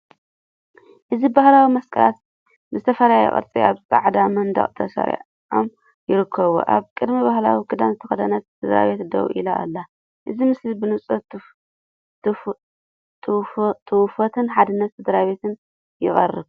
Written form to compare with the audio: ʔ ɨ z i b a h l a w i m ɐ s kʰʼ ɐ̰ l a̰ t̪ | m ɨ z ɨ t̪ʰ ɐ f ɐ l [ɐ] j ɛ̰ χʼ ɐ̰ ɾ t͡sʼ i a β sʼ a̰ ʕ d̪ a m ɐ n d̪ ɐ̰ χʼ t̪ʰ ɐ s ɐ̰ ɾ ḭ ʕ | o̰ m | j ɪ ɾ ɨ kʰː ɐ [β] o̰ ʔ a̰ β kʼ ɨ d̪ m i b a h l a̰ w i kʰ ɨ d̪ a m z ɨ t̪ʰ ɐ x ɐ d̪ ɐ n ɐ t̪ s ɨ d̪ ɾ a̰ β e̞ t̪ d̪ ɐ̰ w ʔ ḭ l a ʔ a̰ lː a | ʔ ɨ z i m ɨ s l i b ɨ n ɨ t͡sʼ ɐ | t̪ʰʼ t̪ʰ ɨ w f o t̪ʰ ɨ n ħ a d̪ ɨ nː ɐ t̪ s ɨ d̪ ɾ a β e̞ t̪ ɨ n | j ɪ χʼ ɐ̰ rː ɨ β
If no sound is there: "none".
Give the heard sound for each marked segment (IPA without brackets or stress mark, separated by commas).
a, β